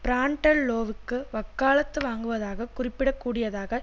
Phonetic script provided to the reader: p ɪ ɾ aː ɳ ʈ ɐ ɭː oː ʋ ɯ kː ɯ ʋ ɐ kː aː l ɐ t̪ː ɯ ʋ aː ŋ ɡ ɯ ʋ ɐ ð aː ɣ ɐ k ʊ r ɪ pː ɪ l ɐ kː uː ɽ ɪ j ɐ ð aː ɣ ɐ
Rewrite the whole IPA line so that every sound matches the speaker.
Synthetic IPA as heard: p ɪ ɾ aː ɳ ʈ ɐ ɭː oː ʋ ɯ kː ɯ ʋ ɐ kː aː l ɐ t̪ː ɯ ʋ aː ŋ ɡ ɯ ʋ ɐ ð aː ɣ ɐ k ʊ r ɪ pː ɪ ɽ ɐ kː uː ɽ ɪ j ɐ ð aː ɣ ɐ